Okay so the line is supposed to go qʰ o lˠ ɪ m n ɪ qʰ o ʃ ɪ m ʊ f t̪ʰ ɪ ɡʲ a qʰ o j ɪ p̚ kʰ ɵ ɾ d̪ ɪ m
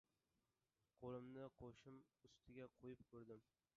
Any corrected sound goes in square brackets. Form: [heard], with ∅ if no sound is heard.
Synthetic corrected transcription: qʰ o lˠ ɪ m n ɪ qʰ o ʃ ɪ m ʊ [s] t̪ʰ ɪ ɡʲ a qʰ o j ɪ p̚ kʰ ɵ ɾ d̪ ɪ m